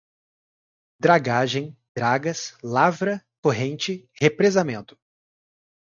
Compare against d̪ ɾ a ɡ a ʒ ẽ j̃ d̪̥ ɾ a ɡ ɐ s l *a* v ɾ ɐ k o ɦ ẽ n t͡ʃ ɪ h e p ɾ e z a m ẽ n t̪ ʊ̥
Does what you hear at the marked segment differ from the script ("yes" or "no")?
no